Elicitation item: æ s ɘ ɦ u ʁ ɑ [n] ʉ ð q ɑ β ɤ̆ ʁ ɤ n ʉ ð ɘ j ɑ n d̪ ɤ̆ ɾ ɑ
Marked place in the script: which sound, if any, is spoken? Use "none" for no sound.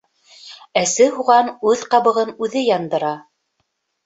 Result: n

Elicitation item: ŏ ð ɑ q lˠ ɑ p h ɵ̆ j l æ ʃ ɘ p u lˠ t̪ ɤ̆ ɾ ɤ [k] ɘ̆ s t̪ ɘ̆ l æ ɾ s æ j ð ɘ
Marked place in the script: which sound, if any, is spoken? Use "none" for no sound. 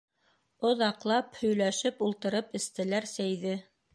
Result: p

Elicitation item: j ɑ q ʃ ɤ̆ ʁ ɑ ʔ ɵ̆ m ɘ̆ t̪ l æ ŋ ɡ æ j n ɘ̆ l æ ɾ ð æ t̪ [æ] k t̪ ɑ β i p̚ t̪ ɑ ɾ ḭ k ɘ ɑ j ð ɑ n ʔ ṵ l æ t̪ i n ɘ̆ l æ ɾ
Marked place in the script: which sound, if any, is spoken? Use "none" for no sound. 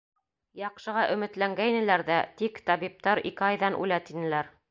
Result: i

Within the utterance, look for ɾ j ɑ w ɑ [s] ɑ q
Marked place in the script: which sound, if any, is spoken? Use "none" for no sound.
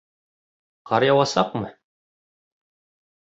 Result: s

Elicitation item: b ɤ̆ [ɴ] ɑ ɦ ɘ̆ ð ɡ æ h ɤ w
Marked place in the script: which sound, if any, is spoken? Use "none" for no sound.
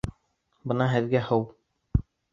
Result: n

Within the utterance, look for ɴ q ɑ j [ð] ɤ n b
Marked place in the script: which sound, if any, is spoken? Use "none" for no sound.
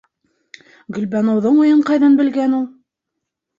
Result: ð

